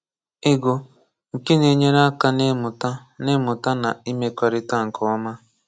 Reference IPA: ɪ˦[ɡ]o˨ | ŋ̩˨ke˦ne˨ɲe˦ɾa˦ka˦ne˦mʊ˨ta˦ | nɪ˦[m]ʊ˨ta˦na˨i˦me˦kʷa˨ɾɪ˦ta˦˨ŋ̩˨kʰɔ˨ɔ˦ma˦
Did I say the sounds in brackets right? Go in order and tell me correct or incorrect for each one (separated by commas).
correct, correct